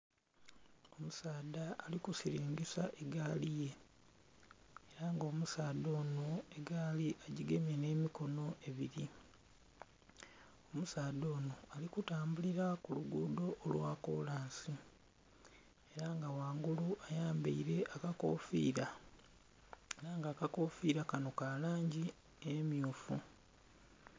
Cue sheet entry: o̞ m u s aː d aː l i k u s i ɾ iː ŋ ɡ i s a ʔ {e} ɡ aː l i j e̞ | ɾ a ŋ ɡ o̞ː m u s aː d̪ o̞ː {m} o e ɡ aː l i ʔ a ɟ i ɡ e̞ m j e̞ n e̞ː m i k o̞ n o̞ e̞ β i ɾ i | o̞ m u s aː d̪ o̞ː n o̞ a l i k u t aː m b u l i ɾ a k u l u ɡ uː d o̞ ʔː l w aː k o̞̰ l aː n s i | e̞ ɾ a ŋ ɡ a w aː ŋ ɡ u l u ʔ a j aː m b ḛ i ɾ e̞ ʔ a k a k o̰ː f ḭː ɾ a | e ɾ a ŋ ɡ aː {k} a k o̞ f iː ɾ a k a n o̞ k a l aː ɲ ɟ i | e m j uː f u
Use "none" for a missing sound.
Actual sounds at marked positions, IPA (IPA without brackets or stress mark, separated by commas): e, n, k